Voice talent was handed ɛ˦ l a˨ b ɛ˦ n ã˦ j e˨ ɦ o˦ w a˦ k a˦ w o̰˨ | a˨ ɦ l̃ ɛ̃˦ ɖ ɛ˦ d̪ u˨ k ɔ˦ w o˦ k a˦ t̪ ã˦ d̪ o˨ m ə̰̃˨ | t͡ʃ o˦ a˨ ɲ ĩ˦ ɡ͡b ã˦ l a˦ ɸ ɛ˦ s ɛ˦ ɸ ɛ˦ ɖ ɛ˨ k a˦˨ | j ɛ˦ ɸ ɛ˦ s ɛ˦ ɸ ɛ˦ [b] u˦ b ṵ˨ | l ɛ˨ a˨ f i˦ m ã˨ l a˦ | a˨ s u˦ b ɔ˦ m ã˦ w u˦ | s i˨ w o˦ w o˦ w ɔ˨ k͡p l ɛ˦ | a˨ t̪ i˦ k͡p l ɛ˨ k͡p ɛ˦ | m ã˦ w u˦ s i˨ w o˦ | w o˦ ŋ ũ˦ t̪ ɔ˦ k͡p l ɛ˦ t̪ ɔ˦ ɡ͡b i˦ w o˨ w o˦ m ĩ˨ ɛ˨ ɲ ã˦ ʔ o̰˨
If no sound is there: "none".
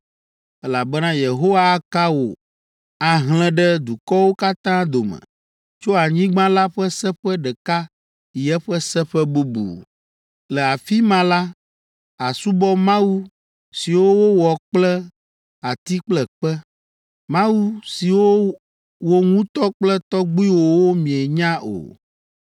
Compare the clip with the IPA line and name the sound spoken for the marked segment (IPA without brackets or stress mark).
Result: b